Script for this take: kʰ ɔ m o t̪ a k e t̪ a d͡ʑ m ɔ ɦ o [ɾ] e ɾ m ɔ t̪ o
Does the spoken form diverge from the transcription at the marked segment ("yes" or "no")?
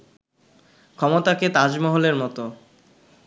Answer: yes